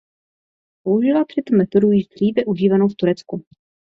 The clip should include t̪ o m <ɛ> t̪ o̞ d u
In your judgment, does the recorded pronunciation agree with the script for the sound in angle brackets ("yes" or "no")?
yes